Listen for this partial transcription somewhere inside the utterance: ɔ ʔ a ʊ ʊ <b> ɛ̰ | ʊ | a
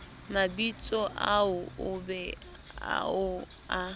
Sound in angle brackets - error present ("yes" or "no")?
no